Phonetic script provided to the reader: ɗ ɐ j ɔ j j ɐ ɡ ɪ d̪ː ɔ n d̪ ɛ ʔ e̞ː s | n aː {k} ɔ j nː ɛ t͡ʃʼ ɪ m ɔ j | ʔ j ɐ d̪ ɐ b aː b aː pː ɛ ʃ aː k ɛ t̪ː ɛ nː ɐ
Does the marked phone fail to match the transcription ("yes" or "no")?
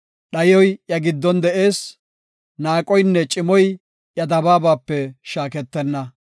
yes